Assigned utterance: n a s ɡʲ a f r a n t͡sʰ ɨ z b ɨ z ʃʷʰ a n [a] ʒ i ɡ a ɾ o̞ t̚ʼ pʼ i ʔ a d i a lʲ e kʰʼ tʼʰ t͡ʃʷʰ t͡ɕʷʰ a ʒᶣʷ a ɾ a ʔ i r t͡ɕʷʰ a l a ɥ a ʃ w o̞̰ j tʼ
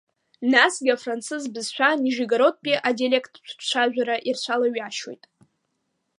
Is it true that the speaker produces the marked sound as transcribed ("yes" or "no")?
no